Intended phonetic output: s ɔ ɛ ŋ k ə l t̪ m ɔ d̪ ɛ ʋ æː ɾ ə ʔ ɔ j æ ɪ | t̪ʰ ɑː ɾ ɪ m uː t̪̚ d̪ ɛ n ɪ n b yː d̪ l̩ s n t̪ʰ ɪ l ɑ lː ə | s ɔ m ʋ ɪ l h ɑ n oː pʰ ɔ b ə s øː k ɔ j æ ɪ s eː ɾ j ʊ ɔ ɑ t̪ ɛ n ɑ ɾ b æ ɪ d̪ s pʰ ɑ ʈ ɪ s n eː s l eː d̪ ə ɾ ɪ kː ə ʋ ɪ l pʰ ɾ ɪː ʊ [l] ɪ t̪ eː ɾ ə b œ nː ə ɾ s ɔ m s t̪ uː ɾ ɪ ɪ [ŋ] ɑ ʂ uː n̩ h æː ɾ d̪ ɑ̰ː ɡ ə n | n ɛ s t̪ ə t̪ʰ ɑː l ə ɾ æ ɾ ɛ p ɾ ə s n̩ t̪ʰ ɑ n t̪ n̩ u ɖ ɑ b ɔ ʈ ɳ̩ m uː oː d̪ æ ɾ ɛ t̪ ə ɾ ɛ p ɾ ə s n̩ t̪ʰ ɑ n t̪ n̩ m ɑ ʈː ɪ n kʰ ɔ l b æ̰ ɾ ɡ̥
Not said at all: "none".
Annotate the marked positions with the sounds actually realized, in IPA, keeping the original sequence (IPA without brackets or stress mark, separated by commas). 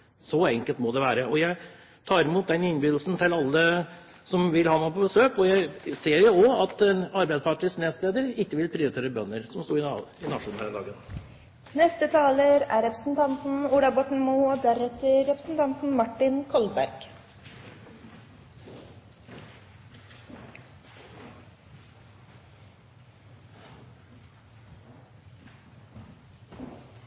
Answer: ɾ, n